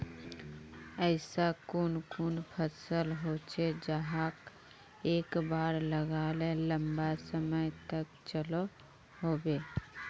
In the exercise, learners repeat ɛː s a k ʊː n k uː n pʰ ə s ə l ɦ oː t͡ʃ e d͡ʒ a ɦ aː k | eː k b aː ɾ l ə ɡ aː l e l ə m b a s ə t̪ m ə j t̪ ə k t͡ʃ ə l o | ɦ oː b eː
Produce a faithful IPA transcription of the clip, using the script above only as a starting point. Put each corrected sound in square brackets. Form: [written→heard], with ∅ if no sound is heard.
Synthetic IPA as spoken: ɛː s a k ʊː n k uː n pʰ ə s ə l ɦ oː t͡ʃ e d͡ʒ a ɦ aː k | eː k b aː ɾ l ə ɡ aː l e l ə m b a s ə [t̪→∅] m ə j t̪ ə k t͡ʃ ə l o | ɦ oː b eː